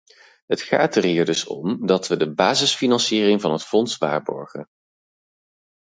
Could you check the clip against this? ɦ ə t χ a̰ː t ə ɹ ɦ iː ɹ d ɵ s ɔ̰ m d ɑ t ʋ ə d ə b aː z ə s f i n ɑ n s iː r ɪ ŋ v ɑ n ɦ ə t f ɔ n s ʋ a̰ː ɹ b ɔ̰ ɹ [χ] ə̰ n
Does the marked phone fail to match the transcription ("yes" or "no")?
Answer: no